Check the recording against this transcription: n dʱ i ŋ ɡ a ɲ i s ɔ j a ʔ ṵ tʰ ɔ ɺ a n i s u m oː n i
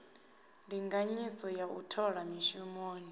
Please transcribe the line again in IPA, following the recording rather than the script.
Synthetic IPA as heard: n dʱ i ŋ ɡ a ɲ i s ɔ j a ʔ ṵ tʰ ɔ ɺ a m i ʃ u m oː n i